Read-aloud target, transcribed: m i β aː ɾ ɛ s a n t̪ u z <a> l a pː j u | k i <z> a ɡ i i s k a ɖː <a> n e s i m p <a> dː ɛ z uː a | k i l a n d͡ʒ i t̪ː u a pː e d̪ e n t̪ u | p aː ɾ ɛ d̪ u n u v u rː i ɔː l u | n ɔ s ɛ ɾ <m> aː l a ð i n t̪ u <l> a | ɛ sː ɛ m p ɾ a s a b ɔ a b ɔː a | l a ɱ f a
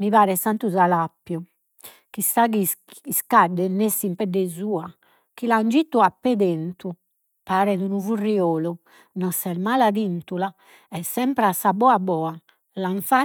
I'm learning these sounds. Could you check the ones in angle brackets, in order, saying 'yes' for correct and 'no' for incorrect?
yes, no, no, no, yes, yes

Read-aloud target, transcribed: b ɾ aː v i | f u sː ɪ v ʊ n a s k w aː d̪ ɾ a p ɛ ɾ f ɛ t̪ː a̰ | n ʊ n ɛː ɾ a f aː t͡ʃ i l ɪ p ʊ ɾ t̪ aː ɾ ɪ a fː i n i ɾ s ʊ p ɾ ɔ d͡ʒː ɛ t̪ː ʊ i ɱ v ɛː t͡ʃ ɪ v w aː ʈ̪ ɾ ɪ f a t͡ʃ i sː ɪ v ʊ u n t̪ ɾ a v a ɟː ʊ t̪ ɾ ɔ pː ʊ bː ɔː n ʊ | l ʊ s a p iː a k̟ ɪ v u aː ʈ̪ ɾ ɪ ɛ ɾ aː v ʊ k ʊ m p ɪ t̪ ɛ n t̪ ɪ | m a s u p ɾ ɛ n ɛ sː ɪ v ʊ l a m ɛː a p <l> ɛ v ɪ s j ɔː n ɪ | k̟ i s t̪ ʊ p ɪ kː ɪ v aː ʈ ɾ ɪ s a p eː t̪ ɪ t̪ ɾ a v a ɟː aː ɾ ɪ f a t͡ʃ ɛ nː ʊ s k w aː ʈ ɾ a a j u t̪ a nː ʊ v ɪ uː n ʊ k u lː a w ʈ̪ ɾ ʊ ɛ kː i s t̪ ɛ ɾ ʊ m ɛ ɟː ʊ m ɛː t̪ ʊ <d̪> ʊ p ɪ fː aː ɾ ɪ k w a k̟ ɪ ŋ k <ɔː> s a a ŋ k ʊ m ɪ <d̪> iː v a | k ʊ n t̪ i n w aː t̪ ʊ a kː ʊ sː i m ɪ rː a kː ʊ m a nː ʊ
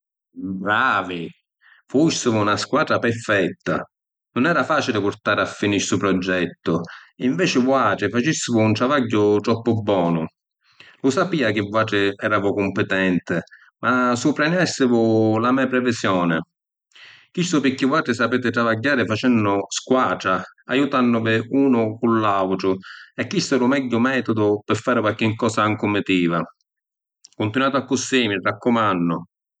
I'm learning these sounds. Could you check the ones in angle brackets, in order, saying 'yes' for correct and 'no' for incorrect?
no, yes, yes, no

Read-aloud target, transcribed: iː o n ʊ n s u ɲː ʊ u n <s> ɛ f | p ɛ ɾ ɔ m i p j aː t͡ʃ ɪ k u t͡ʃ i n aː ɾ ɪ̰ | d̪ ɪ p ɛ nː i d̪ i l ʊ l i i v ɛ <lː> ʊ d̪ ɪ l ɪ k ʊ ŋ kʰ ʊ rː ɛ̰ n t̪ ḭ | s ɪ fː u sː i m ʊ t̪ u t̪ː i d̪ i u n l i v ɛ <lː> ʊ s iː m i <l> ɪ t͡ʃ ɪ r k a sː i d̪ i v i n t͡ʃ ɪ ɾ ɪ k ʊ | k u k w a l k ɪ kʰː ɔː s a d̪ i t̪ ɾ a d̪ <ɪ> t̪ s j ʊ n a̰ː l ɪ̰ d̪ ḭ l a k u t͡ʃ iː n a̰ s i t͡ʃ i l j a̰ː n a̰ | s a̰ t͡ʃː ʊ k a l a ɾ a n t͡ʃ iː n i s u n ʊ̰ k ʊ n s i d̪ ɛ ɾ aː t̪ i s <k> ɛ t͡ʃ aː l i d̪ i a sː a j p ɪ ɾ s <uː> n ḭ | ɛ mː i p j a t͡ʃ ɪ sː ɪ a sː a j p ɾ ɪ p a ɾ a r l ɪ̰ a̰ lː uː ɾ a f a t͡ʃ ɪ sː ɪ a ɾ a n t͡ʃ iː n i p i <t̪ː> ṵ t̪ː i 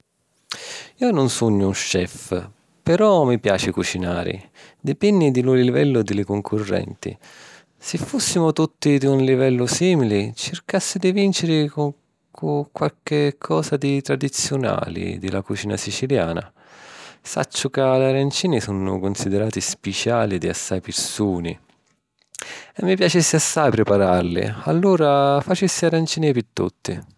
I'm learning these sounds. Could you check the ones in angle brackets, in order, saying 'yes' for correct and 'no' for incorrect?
no, yes, yes, yes, no, no, yes, yes

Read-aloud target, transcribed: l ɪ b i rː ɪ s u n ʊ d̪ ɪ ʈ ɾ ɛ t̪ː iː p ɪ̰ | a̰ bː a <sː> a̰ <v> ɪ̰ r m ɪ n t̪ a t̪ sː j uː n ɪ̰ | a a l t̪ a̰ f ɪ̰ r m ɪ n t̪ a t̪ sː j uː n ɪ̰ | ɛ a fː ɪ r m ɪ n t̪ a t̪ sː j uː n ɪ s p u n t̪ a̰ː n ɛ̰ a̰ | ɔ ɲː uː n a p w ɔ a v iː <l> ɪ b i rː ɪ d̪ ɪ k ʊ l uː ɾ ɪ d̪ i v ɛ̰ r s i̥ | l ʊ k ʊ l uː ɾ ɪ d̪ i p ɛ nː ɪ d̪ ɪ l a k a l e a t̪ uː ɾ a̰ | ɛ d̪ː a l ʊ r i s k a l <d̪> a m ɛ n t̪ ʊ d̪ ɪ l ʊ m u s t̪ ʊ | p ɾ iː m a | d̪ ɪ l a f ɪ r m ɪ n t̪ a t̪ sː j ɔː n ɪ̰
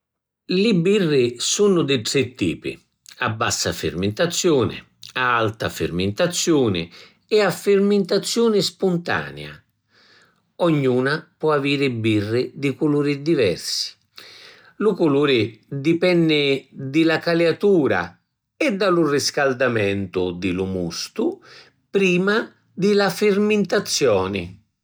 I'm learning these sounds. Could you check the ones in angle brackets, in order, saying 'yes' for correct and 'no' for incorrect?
yes, no, no, yes

